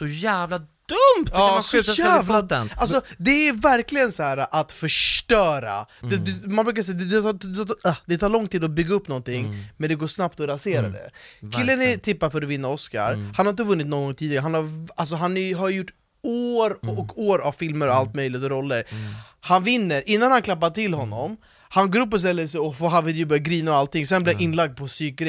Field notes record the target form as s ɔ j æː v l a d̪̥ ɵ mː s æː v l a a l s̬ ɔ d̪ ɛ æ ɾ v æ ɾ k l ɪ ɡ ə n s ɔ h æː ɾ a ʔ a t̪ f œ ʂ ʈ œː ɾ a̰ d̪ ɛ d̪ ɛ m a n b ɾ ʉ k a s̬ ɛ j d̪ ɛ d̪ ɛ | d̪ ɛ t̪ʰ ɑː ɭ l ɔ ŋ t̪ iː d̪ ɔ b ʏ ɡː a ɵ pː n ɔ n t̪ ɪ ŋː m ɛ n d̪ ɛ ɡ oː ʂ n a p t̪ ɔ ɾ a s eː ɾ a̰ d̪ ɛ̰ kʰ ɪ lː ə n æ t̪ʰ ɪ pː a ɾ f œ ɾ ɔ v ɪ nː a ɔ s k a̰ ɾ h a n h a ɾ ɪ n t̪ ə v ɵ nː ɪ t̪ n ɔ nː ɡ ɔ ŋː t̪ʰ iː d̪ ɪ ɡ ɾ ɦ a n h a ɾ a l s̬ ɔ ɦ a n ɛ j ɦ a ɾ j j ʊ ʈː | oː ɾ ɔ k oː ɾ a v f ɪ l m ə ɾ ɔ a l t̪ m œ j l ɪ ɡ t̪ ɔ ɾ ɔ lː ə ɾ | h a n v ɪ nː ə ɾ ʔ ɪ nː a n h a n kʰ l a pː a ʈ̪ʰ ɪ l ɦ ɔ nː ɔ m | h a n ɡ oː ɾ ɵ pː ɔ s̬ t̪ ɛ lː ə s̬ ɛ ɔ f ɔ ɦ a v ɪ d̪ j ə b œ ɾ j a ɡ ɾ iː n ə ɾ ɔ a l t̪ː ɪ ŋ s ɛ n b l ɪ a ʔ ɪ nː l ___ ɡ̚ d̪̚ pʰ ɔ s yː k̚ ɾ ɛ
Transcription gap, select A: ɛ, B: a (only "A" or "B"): B